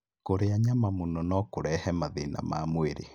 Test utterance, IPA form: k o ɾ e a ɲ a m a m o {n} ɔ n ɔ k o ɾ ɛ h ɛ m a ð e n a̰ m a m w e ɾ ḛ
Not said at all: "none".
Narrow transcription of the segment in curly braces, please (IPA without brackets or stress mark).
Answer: n